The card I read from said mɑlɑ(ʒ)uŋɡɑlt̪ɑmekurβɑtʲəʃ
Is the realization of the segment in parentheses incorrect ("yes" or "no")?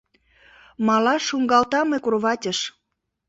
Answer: yes